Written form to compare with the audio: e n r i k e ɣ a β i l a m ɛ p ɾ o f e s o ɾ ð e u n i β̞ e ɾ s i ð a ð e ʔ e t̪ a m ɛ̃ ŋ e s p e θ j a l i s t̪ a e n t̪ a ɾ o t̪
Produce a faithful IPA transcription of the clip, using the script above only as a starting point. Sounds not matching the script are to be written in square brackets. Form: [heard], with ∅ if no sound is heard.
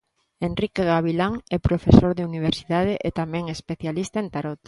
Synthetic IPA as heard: e n r i k e ɣ a β i l a [ŋ] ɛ p ɾ o f e s o ɾ ð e u n i β̞ e ɾ s i ð a ð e ʔ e t̪ a m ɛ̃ ŋ e s p e θ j a l i s t̪ a e n t̪ a ɾ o t̪